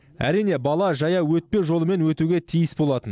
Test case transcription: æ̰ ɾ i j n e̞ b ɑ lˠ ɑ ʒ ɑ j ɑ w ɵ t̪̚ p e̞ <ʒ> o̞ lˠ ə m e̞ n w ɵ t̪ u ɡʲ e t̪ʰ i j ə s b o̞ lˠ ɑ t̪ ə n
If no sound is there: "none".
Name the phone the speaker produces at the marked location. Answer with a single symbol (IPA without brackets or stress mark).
ʒ